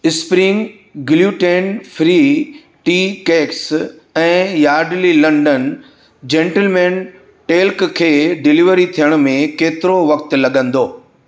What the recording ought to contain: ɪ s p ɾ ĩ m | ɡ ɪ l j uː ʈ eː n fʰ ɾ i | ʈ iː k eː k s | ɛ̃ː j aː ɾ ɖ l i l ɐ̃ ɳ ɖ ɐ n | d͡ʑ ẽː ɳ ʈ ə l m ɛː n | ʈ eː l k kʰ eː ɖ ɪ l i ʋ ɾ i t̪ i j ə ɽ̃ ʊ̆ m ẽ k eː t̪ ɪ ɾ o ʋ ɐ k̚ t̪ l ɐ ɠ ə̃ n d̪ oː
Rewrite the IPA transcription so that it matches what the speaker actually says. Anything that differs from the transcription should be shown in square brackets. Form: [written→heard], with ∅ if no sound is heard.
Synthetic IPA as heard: ɪ s p ɾ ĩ [m→ŋ] | ɡ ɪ l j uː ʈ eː n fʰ ɾ i | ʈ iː k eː k s | ɛ̃ː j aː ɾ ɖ l i l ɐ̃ ɳ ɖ [ɐ→ə] n | d͡ʑ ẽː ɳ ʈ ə l m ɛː n | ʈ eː l k kʰ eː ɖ ɪ l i ʋ ɾ i [t̪→t̪ʰ] i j ə ɽ̃ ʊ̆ m ẽ k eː t̪ ɪ ɾ o ʋ ɐ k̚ t̪ l ɐ ɠ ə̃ n d̪ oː

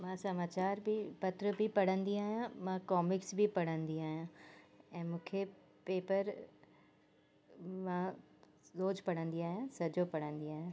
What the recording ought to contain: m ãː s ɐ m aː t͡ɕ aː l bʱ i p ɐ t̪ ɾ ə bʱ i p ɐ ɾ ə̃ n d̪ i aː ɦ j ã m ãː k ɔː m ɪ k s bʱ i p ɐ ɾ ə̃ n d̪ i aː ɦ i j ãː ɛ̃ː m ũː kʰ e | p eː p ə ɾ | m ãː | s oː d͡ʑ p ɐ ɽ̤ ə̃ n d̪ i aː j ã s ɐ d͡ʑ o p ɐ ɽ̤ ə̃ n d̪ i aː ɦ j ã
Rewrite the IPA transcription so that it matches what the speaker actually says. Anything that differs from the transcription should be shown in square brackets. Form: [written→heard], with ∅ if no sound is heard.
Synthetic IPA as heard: m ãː s ɐ m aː t͡ɕ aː [l→ɾ] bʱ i p ɐ t̪ ɾ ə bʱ i p ɐ [ɾ→ɽ] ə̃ n d̪ i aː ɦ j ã m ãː k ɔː m ɪ k s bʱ i p ɐ [ɾ→ɽ] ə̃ n d̪ i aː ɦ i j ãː ɛ̃ː m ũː kʰ e | p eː p ə ɾ | m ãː | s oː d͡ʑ p ɐ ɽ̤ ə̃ n d̪ i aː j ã s ɐ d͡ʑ o p ɐ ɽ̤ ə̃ n d̪ i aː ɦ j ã

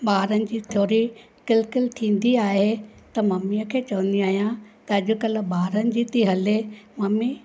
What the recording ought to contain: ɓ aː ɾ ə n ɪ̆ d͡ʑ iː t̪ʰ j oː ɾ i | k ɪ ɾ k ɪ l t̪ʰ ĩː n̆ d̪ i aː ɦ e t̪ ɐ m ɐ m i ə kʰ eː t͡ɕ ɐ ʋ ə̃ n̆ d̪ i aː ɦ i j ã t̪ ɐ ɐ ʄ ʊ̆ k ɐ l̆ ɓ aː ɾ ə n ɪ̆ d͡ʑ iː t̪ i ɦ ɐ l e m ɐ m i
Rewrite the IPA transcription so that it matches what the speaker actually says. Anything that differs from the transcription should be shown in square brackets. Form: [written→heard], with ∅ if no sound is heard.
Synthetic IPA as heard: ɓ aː ɾ ə n ɪ̆ d͡ʑ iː t̪ʰ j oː ɾ i | k ɪ [ɾ→l] k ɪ l t̪ʰ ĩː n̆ d̪ i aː ɦ e t̪ ɐ m ɐ m i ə kʰ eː t͡ɕ ɐ ʋ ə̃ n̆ d̪ i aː ɦ i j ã t̪ ɐ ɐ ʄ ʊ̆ k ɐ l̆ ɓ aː ɾ ə n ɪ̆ d͡ʑ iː t̪ i ɦ ɐ l e m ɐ m i

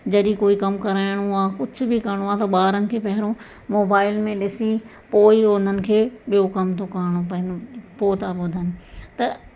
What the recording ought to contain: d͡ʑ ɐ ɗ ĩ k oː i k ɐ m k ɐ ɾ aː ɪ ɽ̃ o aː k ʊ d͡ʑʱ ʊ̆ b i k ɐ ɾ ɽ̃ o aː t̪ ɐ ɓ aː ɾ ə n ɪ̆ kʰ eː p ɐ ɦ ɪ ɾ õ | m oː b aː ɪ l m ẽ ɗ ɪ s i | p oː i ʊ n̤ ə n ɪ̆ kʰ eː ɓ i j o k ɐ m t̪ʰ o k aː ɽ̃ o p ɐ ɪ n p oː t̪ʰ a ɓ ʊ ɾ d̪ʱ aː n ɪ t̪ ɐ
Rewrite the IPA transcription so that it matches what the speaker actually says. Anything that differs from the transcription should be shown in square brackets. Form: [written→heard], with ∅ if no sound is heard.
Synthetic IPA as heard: d͡ʑ ɐ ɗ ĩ k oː i k ɐ m k ɐ ɾ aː ɪ ɽ̃ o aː k ʊ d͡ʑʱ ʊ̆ b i k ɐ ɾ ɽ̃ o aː t̪ ɐ ɓ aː ɾ ə n ɪ̆ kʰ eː p ɐ ɦ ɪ ɾ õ | m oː b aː ɪ l m ẽ ɗ ɪ s i | p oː i ʊ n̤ ə n ɪ̆ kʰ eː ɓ i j o k ɐ m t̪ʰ o k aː ɽ̃ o p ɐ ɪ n p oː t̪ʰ a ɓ ʊ [ɾ→∅] d̪ʱ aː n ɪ t̪ ɐ

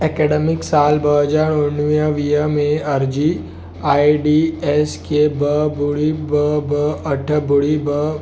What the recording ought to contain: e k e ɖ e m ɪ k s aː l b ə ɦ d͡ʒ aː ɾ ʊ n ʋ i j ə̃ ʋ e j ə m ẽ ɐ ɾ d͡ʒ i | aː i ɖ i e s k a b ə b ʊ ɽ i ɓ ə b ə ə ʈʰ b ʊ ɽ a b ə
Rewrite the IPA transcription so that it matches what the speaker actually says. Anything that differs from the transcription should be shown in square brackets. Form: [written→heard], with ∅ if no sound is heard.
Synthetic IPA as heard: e k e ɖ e m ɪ k s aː l b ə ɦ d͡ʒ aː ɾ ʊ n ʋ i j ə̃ ʋ [e→i] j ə m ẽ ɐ ɾ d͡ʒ i | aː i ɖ i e s k [a→e] b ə b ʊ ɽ i [ɓ→b] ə b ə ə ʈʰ b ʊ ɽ [a→i] b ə

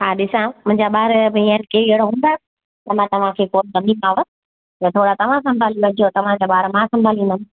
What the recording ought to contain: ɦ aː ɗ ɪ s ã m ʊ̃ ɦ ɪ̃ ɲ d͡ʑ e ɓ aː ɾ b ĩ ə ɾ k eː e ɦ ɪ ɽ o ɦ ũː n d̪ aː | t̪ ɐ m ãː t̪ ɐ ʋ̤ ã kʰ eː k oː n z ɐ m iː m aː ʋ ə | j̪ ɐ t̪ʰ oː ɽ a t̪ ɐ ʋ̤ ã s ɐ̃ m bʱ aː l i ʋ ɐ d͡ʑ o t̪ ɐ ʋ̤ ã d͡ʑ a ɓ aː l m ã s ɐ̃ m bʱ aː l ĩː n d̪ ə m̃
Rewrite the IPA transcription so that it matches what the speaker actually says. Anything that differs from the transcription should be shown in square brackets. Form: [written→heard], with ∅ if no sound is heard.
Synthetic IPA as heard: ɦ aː ɗ ɪ s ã m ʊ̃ ɦ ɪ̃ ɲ d͡ʑ [e→a] ɓ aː ɾ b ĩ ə ɾ k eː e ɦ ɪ ɽ o ɦ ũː n d̪ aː | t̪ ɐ m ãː t̪ ɐ ʋ̤ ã kʰ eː k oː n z ɐ m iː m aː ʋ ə | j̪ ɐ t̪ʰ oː ɽ a t̪ ɐ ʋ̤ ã s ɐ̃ m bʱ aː l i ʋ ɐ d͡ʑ o t̪ ɐ ʋ̤ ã d͡ʑ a ɓ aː [l→ɾ] m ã s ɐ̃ m bʱ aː l ĩː n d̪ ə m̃

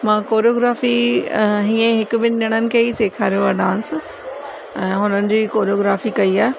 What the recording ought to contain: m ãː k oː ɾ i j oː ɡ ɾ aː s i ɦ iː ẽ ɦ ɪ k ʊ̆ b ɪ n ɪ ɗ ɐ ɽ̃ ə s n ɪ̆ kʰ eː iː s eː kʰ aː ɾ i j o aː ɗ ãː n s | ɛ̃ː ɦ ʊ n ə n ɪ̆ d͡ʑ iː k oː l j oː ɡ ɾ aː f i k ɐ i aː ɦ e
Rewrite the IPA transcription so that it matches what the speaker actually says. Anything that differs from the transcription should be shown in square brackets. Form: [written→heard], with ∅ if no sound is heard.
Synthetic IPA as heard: m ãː k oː ɾ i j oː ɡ ɾ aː [s→f] i ɦ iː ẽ ɦ ɪ k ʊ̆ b ɪ n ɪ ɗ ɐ ɽ̃ ə [s→∅] n ɪ̆ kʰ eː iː s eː kʰ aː ɾ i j o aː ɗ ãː n s | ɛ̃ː ɦ ʊ n ə n ɪ̆ d͡ʑ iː k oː [l→ɾ] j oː ɡ ɾ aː f i k ɐ i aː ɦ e

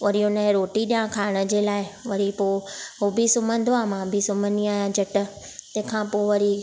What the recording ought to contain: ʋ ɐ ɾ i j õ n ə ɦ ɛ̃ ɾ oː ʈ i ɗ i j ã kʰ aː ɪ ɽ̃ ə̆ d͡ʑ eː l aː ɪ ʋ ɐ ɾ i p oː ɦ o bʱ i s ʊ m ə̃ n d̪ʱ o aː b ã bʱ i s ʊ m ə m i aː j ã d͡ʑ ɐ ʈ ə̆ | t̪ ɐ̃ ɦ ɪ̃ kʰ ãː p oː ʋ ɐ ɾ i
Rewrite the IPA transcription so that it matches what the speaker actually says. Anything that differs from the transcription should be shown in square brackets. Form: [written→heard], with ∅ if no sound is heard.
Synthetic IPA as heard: ʋ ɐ ɾ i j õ n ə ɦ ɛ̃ ɾ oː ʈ i ɗ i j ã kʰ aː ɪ ɽ̃ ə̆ d͡ʑ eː l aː ɪ ʋ ɐ ɾ i p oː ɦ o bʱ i s ʊ m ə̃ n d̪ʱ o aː [b→m] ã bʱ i s ʊ m ə [m→n] i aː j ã d͡ʑ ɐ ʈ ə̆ | t̪ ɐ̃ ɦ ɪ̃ kʰ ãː p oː ʋ ɐ ɾ i

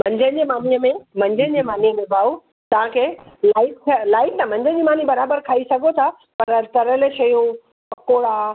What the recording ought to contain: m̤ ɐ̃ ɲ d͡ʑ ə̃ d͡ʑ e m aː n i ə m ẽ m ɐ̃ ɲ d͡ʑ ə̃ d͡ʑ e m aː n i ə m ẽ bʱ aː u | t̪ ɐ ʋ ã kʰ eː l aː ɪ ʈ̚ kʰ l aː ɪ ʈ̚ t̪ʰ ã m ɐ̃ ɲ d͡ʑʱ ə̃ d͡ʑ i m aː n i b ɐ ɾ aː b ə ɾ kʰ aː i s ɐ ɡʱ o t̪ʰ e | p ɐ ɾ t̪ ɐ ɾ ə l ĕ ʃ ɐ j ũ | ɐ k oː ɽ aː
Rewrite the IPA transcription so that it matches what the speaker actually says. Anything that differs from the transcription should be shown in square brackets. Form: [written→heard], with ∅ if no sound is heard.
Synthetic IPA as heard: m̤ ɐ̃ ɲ d͡ʑ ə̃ d͡ʑ e m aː n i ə m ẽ m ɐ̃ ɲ d͡ʑ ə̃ d͡ʑ e m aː n i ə m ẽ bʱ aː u | t̪ ɐ ʋ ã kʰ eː l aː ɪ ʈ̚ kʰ l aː ɪ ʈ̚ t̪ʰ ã m ɐ̃ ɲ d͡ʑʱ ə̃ d͡ʑ i m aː n i b ɐ ɾ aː b ə ɾ kʰ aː i s ɐ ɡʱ o t̪ʰ [e→a] | p ɐ ɾ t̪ ɐ ɾ ə l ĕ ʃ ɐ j ũ | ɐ k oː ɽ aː

